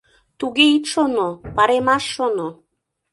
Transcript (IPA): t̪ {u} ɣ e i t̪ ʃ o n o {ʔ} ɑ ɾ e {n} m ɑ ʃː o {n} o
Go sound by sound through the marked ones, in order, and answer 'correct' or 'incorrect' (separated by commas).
correct, incorrect, incorrect, correct